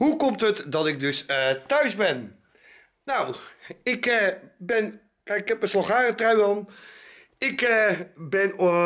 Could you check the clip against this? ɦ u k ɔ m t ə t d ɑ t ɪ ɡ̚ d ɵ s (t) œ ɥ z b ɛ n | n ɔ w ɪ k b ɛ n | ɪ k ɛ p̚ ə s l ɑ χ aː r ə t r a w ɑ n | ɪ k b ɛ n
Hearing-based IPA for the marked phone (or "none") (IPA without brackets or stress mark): t